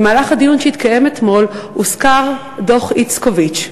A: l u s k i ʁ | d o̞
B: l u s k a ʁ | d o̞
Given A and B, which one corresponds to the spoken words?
B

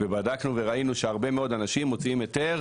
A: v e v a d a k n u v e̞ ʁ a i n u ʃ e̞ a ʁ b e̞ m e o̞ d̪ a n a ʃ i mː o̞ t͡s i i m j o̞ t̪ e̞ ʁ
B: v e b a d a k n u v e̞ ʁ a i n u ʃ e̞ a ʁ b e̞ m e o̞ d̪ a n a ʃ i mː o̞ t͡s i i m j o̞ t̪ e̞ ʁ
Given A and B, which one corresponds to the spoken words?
B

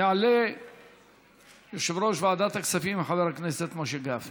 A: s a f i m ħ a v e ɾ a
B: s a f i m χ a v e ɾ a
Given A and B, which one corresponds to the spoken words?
A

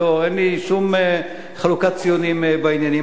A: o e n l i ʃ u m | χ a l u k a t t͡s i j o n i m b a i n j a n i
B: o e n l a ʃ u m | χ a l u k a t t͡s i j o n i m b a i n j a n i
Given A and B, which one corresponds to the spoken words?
A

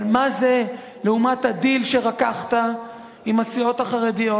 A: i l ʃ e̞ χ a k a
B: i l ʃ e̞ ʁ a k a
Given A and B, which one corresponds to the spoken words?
B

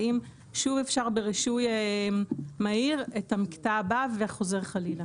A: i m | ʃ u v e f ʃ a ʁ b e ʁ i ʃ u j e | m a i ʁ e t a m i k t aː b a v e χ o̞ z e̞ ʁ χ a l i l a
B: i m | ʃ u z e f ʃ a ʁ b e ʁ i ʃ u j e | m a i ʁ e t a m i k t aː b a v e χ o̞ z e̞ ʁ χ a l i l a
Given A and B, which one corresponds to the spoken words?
A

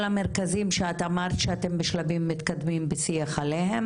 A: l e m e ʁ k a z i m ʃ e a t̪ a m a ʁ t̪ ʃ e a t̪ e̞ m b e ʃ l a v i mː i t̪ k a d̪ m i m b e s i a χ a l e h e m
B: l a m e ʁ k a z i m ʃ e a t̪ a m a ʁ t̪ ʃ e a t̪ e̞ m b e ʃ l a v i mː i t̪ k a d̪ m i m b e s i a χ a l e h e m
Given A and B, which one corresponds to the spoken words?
B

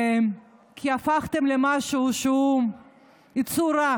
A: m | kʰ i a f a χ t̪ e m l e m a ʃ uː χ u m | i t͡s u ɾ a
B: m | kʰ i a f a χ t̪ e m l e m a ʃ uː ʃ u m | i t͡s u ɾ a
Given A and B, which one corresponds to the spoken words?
B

